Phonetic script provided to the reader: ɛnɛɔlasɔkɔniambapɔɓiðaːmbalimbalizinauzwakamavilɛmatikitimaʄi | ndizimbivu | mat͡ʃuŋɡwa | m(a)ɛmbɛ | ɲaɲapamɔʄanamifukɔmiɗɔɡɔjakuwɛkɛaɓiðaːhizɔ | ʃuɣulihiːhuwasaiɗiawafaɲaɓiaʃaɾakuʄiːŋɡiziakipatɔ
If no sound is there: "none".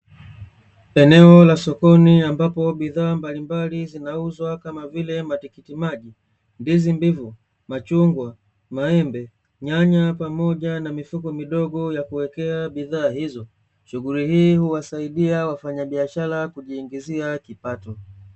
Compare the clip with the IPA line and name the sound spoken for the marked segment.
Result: a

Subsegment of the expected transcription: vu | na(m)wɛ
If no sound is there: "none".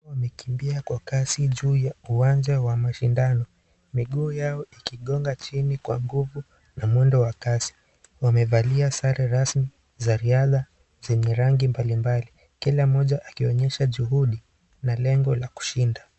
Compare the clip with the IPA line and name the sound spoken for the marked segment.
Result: m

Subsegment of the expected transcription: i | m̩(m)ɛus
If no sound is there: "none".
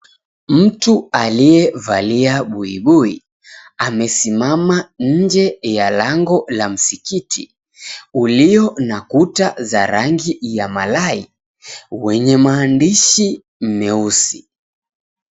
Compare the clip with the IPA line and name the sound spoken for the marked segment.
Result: m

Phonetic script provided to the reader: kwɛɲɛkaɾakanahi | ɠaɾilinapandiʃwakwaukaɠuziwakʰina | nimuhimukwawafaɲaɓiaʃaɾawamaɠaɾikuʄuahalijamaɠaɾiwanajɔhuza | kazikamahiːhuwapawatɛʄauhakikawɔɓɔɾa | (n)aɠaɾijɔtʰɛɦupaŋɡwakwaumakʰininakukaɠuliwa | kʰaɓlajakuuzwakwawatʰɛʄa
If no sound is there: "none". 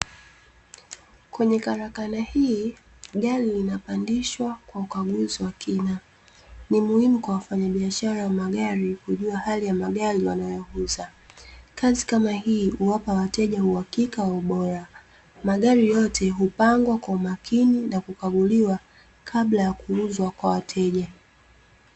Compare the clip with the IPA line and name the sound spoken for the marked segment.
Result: m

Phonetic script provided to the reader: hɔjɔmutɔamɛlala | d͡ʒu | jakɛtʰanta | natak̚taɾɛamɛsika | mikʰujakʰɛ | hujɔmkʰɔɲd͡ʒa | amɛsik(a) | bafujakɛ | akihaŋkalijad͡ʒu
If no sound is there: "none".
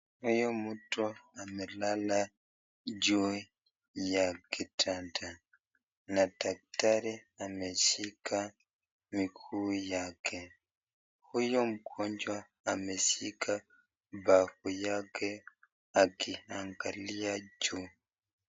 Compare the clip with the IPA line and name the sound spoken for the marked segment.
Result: a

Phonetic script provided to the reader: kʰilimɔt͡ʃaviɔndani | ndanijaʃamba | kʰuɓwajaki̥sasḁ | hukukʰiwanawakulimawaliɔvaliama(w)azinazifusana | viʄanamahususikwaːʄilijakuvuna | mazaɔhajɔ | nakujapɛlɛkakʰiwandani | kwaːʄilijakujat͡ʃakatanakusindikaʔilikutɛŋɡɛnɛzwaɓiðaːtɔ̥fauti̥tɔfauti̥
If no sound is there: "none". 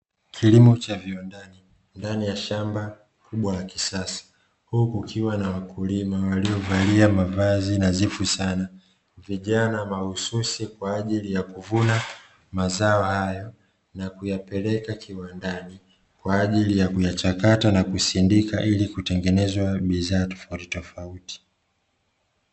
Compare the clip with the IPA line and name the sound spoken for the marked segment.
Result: v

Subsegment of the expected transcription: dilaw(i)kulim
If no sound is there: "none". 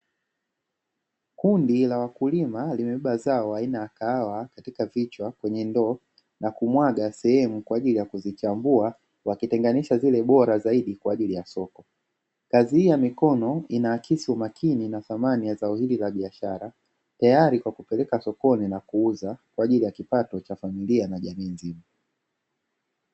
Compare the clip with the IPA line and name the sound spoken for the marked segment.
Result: a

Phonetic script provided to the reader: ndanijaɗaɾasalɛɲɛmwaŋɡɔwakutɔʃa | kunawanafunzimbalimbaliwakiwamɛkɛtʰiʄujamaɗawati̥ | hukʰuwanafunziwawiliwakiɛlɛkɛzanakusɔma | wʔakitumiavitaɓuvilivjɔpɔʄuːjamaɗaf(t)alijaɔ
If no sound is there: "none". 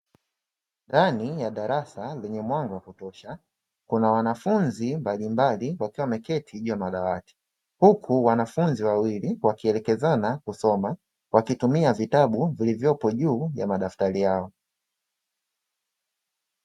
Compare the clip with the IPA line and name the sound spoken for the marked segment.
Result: t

